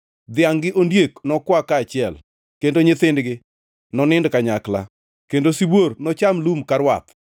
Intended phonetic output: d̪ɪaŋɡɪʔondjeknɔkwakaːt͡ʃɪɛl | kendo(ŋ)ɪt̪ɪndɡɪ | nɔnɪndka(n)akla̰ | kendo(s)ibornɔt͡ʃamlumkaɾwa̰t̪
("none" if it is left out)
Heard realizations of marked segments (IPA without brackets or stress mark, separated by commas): ɲ, ɲ, s